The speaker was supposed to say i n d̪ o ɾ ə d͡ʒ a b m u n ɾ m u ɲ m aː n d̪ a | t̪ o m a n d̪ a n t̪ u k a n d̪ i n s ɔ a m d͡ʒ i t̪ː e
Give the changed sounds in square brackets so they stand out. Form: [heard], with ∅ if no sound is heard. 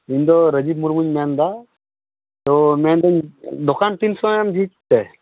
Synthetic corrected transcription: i n d̪ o ɾ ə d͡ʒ [i] b m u [∅] ɾ m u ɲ m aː n d̪ a | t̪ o m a n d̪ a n [d̪] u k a n [t̪] i n s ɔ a m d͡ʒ i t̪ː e